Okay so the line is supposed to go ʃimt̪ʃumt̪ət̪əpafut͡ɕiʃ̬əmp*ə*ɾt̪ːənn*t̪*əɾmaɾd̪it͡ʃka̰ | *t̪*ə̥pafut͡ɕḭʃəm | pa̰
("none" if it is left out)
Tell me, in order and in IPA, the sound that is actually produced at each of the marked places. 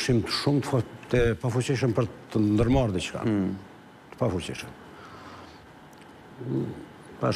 ə, d̪, t̪

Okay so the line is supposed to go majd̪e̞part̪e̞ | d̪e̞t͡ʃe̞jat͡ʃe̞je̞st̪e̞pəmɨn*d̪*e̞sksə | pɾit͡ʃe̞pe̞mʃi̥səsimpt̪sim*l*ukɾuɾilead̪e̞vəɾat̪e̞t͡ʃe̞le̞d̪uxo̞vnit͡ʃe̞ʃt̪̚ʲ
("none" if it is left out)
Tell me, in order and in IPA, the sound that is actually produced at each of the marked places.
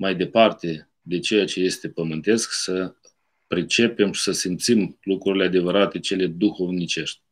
t̪, l

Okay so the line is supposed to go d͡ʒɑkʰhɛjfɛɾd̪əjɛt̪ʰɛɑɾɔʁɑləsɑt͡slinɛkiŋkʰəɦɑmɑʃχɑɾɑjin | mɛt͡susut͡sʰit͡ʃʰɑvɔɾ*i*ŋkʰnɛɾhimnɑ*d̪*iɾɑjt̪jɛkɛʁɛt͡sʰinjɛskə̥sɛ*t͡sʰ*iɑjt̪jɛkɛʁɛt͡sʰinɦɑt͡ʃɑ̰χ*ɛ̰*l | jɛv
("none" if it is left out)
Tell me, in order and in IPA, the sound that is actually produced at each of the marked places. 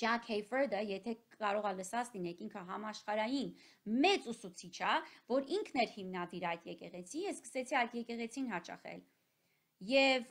i, d̪, t͡sʰ, ɛ̰

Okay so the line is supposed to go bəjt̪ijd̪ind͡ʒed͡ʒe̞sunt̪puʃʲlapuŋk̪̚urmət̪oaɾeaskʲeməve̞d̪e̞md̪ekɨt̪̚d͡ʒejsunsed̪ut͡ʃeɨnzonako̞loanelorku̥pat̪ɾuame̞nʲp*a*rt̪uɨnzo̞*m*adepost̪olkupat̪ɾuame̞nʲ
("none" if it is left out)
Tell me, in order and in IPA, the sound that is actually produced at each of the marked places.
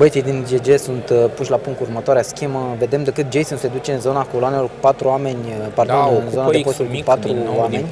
a, n

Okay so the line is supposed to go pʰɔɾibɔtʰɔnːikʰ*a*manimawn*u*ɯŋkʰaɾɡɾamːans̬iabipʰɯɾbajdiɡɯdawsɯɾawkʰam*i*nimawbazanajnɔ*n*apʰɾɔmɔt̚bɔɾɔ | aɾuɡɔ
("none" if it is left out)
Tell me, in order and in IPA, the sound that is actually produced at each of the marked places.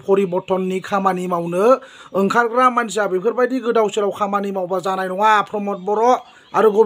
a, ɯ, a, ŋ

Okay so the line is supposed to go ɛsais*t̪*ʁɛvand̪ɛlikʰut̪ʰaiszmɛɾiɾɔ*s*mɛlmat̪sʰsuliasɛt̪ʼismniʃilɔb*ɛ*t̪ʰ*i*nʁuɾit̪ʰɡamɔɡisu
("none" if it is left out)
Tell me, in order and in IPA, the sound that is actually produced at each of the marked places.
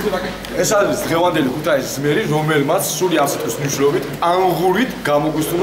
d̪, none, i, a

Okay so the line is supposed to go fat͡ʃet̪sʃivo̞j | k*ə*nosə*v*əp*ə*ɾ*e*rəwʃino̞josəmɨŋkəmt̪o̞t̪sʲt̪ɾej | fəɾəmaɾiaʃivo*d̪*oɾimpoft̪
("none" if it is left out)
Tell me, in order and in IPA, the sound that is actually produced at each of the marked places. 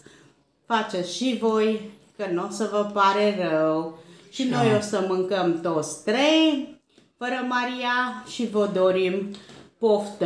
ə, v, a, e, d̪

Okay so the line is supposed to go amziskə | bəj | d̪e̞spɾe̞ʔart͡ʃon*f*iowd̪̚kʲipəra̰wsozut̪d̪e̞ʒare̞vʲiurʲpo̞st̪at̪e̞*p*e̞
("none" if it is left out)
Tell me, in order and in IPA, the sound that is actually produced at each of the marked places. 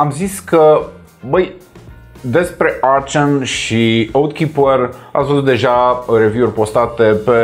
ʃ, p

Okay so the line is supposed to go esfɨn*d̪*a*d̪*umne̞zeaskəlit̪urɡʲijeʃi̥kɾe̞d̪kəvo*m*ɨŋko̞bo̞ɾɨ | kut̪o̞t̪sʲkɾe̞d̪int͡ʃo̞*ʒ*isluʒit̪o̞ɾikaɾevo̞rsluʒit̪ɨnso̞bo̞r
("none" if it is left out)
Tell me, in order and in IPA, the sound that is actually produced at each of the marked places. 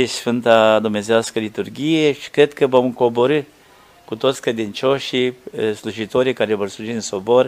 t̪, d̪, m, ʃ

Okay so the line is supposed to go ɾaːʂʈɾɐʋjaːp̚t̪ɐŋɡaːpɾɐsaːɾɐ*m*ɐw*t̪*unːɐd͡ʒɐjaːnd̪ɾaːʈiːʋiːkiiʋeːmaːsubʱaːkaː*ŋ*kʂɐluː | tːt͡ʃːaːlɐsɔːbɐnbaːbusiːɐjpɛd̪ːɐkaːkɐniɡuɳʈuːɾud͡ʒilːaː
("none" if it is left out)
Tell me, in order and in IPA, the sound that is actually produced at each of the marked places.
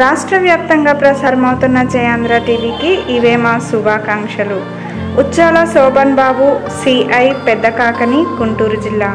m, t̪, ŋ

